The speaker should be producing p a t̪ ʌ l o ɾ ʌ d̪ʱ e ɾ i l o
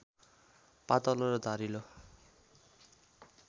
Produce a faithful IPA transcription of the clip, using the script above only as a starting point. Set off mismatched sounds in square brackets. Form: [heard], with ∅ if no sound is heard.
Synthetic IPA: p a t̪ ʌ l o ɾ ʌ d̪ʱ [a] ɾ i l o